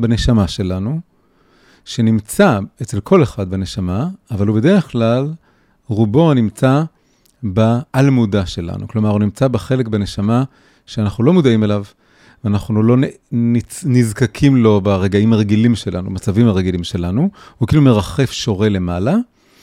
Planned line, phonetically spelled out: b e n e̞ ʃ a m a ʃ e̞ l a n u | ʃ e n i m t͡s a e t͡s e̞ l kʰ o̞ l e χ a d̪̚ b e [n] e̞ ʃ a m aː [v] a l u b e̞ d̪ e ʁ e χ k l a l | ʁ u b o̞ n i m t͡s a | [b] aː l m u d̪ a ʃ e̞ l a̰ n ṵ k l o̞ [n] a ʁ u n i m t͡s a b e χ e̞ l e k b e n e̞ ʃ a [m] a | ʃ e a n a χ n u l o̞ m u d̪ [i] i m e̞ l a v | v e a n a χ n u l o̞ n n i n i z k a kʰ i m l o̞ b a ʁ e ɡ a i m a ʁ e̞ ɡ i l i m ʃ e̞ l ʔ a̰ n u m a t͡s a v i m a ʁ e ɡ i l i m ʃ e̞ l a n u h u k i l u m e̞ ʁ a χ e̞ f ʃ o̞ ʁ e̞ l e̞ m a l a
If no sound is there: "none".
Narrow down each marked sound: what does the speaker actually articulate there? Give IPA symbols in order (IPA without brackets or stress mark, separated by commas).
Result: n, v, b, m, m, a